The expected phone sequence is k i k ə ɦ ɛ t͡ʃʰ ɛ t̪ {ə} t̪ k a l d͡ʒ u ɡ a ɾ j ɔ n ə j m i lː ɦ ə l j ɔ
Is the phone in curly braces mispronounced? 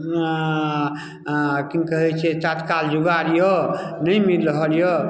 yes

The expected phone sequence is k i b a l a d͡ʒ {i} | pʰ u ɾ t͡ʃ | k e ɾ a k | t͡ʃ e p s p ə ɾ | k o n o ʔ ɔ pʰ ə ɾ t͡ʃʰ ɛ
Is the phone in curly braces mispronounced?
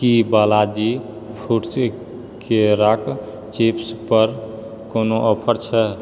no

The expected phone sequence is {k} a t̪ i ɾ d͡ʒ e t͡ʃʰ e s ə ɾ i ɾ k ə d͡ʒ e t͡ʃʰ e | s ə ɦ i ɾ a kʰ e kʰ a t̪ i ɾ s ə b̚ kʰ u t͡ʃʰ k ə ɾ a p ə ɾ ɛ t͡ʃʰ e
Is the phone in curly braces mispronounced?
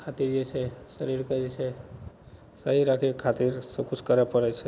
yes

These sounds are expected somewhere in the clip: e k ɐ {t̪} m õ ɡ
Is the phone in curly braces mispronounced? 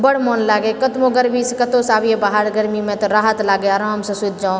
no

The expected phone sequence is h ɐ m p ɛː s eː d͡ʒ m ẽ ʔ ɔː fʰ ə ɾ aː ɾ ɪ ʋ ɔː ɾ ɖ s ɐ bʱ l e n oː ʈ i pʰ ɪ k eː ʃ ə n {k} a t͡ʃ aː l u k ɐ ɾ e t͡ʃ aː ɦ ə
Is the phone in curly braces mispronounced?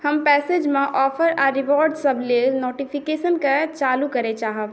no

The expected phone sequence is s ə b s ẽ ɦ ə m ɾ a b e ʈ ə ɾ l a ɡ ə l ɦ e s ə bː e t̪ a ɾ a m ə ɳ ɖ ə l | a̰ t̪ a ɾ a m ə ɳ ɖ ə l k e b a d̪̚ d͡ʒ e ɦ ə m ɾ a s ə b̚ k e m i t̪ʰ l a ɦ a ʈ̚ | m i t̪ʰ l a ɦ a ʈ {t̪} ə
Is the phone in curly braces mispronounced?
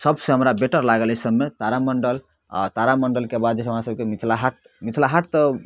no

